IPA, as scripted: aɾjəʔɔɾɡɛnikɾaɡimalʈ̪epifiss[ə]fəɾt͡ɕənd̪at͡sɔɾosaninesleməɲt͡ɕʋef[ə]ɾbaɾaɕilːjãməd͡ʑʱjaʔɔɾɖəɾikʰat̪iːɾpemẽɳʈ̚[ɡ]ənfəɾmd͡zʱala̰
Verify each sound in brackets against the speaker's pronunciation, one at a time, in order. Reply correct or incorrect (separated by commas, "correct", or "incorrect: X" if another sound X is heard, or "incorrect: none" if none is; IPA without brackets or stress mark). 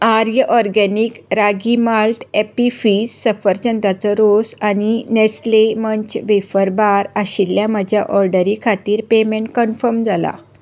correct, correct, incorrect: k